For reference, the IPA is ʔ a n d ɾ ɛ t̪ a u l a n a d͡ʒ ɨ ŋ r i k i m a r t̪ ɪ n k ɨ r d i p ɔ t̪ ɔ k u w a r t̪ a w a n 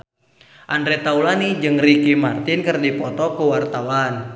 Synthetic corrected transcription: ʔ a n d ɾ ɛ t̪ a u l a n i d͡ʒ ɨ ŋ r i k i m a r t̪ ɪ n k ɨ r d i p ɔ t̪ ɔ k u w a r t̪ a w a n